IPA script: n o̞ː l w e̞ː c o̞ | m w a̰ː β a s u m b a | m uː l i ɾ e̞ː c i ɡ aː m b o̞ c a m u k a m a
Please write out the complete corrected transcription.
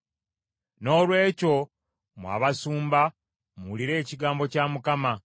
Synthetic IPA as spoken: n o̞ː l w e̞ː c o̞ | m w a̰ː β a s uː m b a | m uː l i ɾ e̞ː c i ɡ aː m b o̞ c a m u k a m a